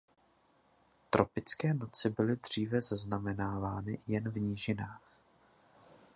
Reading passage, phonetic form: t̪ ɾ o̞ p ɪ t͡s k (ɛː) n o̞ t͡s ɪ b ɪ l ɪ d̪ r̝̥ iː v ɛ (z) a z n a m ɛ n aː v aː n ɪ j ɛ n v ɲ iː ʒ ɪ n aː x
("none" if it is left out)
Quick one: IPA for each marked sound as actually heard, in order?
ɛː, z

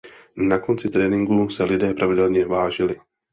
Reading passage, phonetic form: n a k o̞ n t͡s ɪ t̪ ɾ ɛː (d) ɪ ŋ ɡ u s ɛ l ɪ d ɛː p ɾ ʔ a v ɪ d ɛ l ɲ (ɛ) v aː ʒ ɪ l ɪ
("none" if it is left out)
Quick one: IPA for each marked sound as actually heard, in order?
n, ɛ

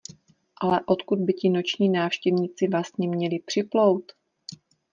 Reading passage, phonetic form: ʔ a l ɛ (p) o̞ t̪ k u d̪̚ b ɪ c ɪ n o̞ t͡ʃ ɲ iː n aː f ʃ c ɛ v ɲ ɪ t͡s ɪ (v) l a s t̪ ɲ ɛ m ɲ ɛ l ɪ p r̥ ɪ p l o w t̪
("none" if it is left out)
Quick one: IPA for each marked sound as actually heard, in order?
ʔ, v

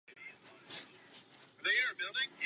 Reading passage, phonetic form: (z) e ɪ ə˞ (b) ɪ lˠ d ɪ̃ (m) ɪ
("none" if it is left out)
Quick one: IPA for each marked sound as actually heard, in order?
ð, b, ŋ

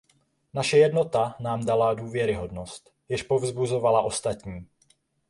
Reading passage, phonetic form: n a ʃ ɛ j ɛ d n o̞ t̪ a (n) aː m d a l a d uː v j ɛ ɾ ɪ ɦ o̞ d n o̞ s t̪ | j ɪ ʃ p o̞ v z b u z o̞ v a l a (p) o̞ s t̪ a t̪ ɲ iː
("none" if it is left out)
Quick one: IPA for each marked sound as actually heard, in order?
n, ʔ

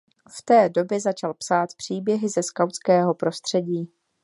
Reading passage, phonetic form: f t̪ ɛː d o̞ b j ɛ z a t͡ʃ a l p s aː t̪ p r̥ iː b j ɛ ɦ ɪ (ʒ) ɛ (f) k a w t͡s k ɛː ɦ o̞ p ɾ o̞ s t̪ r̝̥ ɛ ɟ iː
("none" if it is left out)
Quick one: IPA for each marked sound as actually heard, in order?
z, s

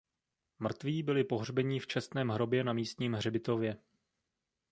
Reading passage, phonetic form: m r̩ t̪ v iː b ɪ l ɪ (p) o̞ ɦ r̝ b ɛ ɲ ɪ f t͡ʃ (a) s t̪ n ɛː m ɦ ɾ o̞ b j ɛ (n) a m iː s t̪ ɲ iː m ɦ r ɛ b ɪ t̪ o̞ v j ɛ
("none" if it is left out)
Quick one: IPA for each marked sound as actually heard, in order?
p, ɛ, n

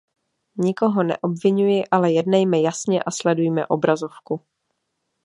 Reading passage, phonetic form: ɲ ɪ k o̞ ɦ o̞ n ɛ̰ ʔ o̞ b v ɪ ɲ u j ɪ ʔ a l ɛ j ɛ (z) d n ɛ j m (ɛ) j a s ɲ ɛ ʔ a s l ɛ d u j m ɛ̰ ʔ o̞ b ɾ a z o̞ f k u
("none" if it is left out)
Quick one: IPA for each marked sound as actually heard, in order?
none, ɛ

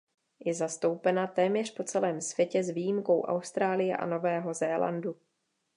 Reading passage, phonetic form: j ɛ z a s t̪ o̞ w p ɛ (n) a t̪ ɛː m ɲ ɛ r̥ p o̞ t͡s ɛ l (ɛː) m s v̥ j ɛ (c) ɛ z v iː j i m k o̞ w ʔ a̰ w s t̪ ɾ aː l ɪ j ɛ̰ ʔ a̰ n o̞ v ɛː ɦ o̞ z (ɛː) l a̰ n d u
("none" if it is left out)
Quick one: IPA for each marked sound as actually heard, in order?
n, ɛː, c, ɛː

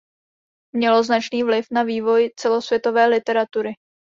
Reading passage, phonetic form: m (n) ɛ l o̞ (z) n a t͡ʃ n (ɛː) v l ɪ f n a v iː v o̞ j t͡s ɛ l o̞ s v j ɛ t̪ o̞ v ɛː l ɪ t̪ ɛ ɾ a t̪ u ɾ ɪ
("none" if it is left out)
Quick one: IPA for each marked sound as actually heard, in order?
ɲ, z, iː

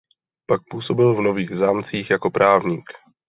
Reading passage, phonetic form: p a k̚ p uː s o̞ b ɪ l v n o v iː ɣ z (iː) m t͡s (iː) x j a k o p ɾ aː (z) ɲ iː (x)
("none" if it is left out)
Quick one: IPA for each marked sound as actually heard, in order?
aː, iː, v, k

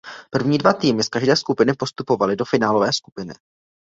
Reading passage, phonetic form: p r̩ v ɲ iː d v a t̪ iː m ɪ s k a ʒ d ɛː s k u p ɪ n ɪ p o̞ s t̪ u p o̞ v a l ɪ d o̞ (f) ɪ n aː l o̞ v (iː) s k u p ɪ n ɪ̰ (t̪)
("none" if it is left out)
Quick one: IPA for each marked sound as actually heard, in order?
f, ɛː, none

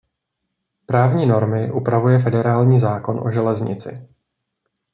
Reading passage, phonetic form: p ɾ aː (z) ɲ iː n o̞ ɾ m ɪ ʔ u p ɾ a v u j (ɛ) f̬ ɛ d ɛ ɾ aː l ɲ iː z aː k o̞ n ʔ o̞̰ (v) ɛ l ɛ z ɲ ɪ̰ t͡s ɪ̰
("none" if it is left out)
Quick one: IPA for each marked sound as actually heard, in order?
v, ɛ, ʒ

